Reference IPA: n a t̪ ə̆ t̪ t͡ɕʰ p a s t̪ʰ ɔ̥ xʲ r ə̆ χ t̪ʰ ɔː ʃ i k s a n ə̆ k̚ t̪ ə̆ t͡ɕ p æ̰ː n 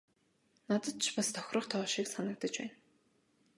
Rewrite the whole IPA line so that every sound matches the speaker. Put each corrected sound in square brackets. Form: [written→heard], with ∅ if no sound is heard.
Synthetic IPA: n a t̪ ə̆ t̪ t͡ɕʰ p a s t̪ʰ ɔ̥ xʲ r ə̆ χ t̪ʰ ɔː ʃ i k s a n ə̆ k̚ t̪ ə̆ t͡ɕ p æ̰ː n